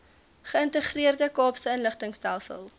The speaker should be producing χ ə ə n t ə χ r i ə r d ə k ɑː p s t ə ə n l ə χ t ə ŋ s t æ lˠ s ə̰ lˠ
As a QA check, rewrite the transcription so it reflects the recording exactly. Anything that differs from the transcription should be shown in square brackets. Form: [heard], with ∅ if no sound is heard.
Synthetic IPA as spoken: χ ə ə n t ə χ r i ə r d ə k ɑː p s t ə ə n l ə χ t ə ŋ s t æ lˠ s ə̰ lˠ